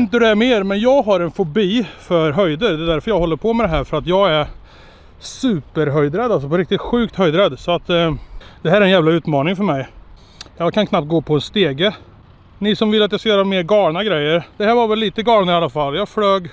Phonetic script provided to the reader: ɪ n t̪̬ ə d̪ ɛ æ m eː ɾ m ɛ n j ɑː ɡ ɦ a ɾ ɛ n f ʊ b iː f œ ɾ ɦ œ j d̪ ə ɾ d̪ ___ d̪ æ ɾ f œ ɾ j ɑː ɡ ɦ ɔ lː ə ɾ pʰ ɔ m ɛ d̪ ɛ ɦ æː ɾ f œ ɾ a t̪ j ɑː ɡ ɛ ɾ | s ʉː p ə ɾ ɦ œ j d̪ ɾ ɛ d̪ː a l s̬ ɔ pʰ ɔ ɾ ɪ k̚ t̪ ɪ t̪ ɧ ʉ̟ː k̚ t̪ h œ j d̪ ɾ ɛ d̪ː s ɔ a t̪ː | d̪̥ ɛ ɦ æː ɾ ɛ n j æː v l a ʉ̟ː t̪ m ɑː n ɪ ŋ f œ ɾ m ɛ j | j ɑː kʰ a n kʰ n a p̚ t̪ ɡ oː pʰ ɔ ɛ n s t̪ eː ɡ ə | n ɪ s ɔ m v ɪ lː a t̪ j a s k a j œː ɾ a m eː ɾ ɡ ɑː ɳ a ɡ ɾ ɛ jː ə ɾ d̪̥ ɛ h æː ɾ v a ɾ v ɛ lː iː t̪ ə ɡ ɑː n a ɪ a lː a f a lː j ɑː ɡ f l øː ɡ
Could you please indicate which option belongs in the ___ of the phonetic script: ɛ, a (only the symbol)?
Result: ɛ